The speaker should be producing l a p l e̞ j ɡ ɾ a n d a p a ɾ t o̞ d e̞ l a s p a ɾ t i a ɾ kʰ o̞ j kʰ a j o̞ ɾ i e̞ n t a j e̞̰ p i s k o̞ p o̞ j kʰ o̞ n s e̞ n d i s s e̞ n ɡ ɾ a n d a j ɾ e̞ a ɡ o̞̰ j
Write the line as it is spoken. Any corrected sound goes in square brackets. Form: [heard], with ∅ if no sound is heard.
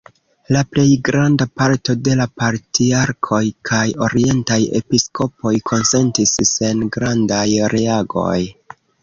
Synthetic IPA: l a p l e̞ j ɡ ɾ a n d a p a ɾ t o̞ d e̞ l a [∅] p a ɾ t i a ɾ kʰ o̞ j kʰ a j o̞ ɾ i e̞ n t a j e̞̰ p i s k o̞ p o̞ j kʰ o̞ n s e̞ n [t] i s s e̞ n ɡ ɾ a n d a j ɾ e̞ a ɡ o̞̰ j